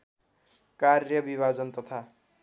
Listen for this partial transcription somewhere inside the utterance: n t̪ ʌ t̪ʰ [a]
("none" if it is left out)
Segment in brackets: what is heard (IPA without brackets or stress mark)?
a